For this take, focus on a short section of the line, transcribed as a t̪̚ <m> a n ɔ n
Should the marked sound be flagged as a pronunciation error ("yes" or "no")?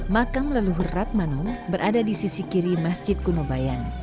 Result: no